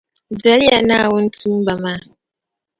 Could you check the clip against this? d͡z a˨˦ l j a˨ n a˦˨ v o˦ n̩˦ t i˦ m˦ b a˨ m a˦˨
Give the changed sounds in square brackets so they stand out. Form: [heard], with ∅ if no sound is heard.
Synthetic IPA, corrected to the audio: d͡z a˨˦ l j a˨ n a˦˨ [w] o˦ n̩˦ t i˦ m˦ b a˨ m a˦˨